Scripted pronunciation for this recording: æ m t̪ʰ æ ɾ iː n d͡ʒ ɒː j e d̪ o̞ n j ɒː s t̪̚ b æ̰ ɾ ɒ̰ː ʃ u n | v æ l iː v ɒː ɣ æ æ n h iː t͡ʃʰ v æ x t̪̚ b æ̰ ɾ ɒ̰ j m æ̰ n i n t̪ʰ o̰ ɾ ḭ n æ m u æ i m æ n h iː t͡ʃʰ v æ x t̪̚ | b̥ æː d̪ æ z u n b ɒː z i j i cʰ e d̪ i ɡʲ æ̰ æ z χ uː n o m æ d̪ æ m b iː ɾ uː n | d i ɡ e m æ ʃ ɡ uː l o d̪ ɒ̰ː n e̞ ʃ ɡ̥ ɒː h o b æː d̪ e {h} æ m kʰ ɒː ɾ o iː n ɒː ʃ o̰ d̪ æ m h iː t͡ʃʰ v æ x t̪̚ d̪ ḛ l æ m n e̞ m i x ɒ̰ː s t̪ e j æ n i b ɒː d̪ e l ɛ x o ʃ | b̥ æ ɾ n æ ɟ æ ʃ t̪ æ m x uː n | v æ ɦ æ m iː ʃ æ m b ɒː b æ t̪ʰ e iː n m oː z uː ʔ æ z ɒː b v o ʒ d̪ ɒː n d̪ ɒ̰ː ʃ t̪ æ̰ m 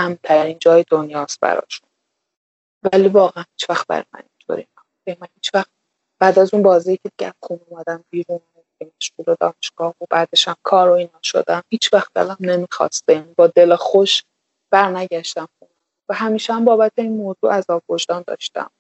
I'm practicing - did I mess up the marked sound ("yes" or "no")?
yes